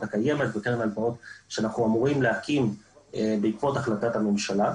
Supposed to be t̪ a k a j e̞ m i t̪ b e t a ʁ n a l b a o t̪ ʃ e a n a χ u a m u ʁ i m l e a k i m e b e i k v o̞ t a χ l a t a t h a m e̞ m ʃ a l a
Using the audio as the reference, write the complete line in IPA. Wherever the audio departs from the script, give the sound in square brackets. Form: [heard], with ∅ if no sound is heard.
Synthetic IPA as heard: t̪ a k a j e̞ m [e] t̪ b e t [e] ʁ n a l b a o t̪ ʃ e a n a χ u a m u ʁ i m l e a k i m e b e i k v o̞ t a χ l a t a t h a m e̞ m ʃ a l a